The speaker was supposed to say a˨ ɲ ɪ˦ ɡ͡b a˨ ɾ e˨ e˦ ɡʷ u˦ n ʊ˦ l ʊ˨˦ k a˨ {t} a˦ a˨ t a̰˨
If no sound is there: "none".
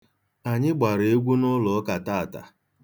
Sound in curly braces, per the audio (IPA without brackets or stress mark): t